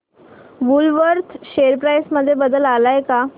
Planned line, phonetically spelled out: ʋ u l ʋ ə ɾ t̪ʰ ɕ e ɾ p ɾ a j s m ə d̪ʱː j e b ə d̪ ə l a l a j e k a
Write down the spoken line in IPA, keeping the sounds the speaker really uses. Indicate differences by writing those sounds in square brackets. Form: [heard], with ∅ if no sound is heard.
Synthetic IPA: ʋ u l ʋ ə ɾ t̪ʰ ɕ e ɾ p ɾ a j s m ə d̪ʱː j e b ə d̪ ə l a l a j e k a